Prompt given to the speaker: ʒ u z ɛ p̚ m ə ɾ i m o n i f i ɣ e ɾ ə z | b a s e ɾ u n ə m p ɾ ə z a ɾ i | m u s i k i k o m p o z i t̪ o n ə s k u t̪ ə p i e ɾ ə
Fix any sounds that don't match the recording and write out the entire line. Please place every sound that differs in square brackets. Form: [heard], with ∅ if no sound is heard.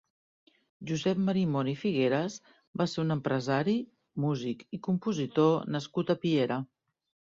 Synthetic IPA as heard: ʒ u z ɛ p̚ m ə ɾ i m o n i f i ɣ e ɾ ə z | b a s e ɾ u n ə m p ɾ ə z a ɾ i | m u [z] i k i k [u] m p [u] z i t̪ o n ə s k u t̪ ə p i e ɾ ə